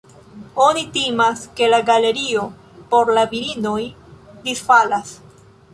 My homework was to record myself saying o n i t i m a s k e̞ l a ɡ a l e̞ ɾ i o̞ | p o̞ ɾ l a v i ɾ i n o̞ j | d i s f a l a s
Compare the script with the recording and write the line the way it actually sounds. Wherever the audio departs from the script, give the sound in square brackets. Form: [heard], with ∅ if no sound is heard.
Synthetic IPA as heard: o n i t i m a s k e̞ l a ɡ a l e̞ ɾ i o̞ | p o̞ ɾ l a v i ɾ i n o̞ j | d i s f a l a s